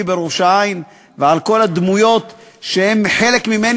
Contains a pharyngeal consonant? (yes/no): yes